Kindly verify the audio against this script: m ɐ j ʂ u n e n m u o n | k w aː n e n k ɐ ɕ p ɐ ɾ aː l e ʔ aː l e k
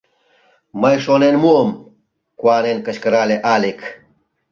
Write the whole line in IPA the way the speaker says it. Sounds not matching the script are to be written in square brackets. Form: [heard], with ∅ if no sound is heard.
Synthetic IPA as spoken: m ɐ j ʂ [o] n e n m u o [m] | k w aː n e n k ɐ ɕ [k] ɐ ɾ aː l e ʔ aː l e k